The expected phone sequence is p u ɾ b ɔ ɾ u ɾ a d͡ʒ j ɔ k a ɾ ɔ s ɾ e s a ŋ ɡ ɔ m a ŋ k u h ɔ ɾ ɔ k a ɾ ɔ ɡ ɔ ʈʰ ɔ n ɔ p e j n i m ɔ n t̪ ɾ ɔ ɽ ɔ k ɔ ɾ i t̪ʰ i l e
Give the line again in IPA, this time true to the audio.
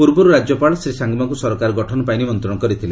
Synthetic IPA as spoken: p u ɾ b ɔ ɾ u ɾ a d͡ʒ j ɔ p a ɭ ɔ s ɾ i s a ŋ ɡ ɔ m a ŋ k u s ɔ ɾ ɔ k a ɾ ɔ ɡ ɔ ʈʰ ɔ n ɔ p a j n i m ɔ n t̪ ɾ ɔ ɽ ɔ k ɔ ɾ i t̪ʰ i l e